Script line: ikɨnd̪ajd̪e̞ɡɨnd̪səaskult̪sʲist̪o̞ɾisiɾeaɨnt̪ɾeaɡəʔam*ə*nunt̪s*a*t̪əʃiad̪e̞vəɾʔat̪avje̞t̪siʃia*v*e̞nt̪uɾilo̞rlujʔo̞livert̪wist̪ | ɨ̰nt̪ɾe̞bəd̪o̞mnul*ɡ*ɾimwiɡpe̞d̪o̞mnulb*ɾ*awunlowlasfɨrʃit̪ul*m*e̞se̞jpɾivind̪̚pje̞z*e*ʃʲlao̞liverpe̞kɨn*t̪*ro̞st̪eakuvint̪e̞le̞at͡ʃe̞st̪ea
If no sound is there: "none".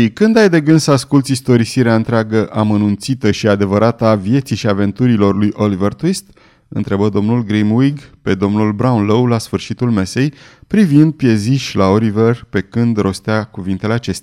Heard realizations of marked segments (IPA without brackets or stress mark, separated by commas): ə, i, v, ɡ, ɾ, m, i, d̪